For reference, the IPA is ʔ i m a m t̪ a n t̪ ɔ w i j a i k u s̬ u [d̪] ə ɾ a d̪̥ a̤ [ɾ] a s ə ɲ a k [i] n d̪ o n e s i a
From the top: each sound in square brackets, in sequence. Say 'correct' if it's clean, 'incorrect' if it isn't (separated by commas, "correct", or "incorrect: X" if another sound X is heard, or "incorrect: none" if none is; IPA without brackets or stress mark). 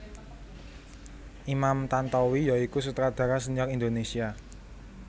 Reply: incorrect: t̪, correct, correct